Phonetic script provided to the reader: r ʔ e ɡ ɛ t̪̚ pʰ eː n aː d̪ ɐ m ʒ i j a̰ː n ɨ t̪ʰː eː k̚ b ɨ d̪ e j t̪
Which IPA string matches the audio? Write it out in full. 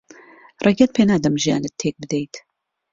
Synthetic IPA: r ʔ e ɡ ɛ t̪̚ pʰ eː n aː d̪ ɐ m ʒ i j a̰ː n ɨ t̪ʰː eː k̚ b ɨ d̪ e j t̪